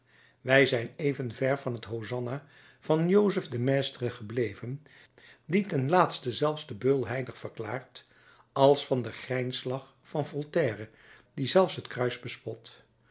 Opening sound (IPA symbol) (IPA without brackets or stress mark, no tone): ʋ